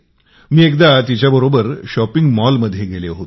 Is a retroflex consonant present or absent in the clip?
absent